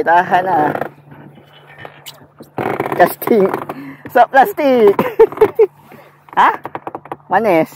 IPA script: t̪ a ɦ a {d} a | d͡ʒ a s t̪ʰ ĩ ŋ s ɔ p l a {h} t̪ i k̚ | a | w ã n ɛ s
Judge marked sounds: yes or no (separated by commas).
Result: no, no